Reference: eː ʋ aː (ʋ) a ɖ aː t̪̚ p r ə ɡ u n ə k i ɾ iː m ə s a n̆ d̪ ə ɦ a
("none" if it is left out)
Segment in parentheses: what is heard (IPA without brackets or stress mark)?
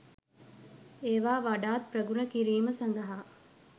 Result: ʋ